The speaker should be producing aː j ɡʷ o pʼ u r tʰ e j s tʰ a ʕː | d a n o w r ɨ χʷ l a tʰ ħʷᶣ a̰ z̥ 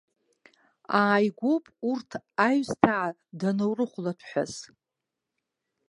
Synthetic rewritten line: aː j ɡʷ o pʼ u r tʰ a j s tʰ a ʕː | d a n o w r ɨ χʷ l a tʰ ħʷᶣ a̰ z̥